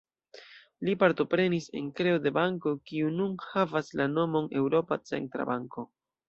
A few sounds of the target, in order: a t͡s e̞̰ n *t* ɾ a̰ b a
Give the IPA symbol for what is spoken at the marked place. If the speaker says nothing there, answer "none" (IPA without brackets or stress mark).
t